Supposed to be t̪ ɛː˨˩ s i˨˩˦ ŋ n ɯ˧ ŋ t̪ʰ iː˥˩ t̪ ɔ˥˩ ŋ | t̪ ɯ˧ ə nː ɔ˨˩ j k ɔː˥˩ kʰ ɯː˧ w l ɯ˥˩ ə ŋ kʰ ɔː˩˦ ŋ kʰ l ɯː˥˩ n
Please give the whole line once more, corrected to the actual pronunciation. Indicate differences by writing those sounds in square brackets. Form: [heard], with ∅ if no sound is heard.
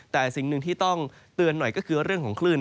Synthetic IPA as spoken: t̪ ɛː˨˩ s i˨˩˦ ŋ n ɯ˧ ŋ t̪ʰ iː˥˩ t̪ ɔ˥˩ ŋ | t̪ ɯ˧ ə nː ɔ˨˩ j k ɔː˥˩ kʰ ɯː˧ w [ɾ] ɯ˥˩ ə ŋ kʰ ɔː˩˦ ŋ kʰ l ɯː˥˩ n